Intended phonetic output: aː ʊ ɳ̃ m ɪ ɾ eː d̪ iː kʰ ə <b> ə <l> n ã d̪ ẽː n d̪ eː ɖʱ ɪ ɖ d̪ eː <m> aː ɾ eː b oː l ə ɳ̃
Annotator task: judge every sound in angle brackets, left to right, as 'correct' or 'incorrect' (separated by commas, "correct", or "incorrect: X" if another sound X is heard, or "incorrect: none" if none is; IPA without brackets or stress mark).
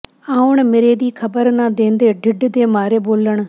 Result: correct, incorrect: ɾ, correct